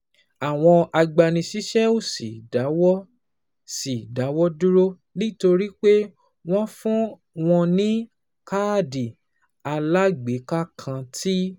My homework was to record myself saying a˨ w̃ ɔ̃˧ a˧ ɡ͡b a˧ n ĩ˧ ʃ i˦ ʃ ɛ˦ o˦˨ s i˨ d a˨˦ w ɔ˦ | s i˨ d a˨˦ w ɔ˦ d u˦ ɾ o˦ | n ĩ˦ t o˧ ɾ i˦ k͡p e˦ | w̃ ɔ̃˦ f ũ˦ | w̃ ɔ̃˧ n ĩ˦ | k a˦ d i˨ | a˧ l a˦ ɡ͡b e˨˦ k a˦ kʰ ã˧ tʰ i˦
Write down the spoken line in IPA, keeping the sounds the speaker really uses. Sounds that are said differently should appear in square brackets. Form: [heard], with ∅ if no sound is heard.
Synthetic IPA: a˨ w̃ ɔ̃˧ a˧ ɡ͡b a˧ n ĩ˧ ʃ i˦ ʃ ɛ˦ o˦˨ s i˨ d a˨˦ w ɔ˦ | s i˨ d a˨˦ w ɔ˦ d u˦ ɾ o˦ | n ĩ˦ t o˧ ɾ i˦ k͡p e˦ | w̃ ɔ̃˦ f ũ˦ | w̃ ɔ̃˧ n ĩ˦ | k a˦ d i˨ | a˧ l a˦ ɡ͡b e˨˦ k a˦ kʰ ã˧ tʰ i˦

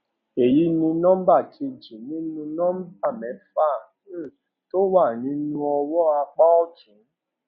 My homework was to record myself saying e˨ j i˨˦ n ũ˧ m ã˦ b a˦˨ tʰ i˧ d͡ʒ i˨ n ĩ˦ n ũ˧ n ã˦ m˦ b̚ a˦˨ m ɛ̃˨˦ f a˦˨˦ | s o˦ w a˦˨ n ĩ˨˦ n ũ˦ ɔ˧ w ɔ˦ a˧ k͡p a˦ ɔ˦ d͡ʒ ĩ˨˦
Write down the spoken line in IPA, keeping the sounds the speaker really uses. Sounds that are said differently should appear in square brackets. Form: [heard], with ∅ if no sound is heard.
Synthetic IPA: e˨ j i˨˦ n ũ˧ [n] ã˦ b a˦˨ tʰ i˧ d͡ʒ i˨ n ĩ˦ n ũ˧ n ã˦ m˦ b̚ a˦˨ m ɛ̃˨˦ f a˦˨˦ | [t] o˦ w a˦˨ n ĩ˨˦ n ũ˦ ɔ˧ w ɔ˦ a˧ k͡p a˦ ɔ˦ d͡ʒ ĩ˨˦

